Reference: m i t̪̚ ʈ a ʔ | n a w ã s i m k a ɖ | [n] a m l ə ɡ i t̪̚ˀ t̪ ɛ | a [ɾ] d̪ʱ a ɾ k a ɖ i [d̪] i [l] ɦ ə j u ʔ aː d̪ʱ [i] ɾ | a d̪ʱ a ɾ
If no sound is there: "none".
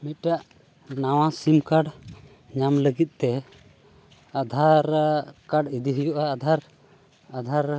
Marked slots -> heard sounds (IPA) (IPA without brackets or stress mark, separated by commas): ɲ, none, d̪, none, a